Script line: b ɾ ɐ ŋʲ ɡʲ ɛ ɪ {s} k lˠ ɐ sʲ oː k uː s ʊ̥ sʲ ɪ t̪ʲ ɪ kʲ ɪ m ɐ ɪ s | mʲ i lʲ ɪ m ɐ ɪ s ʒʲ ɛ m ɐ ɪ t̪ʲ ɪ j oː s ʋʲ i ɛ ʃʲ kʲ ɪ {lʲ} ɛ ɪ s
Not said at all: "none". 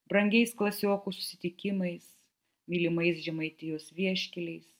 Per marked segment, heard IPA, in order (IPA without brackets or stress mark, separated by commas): s, lʲ